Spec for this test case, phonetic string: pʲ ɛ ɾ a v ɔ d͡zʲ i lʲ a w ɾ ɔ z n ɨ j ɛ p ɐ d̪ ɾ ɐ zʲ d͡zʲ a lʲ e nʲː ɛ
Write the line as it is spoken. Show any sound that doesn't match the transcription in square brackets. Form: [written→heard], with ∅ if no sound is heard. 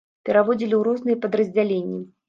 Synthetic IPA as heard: pʲ ɛ ɾ a v ɔ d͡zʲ i lʲ [a→i] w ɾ ɔ z n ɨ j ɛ p ɐ d̪ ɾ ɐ zʲ d͡zʲ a lʲ e nʲː [ɛ→i]

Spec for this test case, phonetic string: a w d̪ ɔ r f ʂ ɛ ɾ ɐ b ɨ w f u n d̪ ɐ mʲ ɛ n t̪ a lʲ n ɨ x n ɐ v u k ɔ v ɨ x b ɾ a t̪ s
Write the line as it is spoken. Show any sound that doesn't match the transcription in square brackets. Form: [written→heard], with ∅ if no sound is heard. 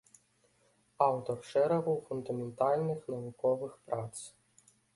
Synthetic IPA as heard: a w [d̪→t̪] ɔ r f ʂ ɛ ɾ ɐ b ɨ w f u n d̪ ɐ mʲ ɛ n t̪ a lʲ n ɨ x n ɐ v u k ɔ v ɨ x [b→p] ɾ a t̪ s

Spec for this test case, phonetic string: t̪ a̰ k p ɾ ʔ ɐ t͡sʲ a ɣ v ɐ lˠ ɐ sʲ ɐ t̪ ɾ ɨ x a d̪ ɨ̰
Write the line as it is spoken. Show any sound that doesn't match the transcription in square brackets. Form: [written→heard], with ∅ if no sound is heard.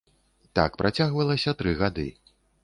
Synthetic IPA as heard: t̪ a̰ k p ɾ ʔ [ɐ→a] t͡sʲ a ɣ v ɐ lˠ ɐ sʲ ɐ t̪ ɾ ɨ [x→ɣ] a d̪ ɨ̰

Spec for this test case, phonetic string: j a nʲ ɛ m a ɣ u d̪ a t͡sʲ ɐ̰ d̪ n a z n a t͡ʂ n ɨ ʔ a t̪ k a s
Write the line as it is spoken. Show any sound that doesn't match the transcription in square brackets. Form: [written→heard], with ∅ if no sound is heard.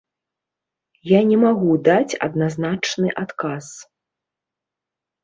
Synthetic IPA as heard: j a nʲ ɛ m a ɣ u d̪ a t͡sʲ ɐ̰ d̪ n a z n a t͡ʂ n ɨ ʔ a t̪ k a s

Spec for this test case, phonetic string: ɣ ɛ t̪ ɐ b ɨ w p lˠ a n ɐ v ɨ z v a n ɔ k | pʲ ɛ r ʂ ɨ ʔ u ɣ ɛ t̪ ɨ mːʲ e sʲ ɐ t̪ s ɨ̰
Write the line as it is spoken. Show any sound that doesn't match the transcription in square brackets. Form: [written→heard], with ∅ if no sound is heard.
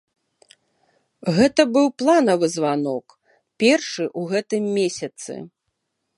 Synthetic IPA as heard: ɣ ɛ t̪ ɐ b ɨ w p lˠ a n ɐ v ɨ z v a n ɔ k | pʲ ɛ r ʂ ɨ ʔ u ɣ ɛ t̪ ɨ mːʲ e sʲ ɐ t̪ s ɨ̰

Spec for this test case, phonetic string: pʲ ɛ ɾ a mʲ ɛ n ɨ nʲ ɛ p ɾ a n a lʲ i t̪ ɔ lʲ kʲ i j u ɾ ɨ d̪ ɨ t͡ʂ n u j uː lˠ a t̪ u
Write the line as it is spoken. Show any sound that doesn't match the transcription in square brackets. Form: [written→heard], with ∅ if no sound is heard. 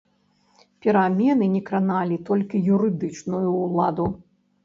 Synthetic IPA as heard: pʲ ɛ ɾ a mʲ ɛ n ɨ nʲ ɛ [p→k] ɾ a n a lʲ i t̪ ɔ lʲ kʲ i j u ɾ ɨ d̪ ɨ t͡ʂ n u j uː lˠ a [t̪→d̪] u

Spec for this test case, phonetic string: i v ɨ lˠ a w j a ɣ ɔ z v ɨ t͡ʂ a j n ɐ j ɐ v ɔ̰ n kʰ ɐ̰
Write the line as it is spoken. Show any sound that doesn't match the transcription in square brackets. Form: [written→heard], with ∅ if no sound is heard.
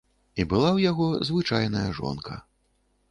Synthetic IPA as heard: i [v→b] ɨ lˠ a w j a ɣ ɔ z v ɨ t͡ʂ a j n ɐ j ɐ [v→ʐ] ɔ̰ n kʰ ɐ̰

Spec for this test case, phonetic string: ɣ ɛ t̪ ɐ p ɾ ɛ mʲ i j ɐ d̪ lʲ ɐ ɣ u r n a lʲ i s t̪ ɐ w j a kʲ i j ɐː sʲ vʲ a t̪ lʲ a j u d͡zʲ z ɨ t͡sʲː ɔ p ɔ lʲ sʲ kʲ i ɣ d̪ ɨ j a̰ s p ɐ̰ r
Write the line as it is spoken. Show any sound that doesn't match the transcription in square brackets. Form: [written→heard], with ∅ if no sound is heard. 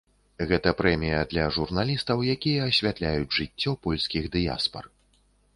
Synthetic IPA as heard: ɣ ɛ t̪ ɐ p ɾ ɛ mʲ i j ɐ d̪ lʲ ɐ [ɣ→ʐ] u r n a lʲ i s t̪ ɐ w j a kʲ i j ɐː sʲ vʲ a t̪ lʲ a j u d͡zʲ [z→ʐ] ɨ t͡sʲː ɔ p ɔ lʲ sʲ kʲ i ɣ d̪ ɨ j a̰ s p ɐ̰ r

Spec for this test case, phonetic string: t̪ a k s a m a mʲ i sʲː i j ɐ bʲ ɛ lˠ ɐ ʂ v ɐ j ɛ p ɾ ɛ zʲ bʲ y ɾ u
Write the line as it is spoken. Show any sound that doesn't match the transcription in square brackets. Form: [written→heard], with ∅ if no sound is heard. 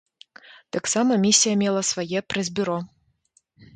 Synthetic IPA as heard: t̪ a k s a m [a→ɐ] mʲ i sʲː i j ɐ [bʲ→mʲ] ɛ lˠ ɐ [ʂ→s] v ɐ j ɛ p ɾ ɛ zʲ bʲ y ɾ [u→ɔ]

